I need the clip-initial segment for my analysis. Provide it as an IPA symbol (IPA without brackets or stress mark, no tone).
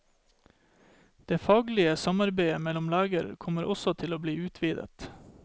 d̪̥